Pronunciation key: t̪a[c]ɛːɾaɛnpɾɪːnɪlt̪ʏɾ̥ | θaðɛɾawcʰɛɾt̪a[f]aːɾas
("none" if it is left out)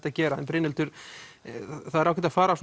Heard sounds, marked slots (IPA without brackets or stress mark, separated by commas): c, f